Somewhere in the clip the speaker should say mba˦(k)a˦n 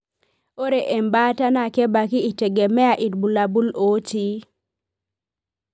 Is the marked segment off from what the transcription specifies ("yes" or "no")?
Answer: yes